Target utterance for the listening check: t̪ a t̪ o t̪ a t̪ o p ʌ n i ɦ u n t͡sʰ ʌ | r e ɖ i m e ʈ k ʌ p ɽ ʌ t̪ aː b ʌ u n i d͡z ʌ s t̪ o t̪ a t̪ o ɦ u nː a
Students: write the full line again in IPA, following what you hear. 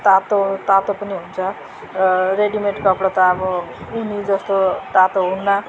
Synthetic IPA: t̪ a t̪ o t̪ a t̪ o p ʌ n i ɦ u n t͡sʰ ʌ | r e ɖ i m e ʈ k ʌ p ɽ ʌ t̪ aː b ʌ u n i d͡z ʌ s t̪ o t̪ a t̪ o ɦ u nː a